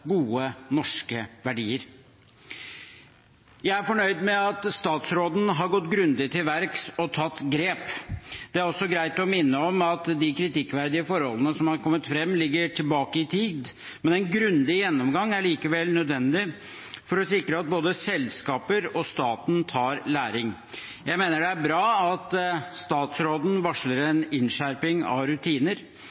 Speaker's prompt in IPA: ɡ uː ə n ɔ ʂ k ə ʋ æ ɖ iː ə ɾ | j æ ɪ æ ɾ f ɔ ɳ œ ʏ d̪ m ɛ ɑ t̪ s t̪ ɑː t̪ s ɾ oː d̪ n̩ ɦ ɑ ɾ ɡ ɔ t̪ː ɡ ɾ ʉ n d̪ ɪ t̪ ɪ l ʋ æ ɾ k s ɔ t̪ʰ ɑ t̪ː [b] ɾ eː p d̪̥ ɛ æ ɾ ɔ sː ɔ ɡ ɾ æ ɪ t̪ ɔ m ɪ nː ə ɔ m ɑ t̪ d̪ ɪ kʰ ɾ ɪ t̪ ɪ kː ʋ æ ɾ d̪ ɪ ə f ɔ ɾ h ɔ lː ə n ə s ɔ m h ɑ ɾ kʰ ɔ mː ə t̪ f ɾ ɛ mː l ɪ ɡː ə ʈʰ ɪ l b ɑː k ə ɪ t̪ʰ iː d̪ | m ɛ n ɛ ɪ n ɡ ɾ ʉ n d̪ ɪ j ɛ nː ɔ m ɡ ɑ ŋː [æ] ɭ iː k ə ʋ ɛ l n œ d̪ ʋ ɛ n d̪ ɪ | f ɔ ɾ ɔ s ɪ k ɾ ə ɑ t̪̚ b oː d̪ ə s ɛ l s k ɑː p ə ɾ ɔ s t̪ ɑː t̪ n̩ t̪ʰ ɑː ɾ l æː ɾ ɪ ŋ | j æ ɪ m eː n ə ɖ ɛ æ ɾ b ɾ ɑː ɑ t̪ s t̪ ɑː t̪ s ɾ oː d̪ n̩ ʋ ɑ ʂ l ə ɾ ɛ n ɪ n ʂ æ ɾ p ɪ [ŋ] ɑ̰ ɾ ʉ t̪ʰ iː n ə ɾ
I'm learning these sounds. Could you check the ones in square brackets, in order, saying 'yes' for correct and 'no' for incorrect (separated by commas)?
no, yes, yes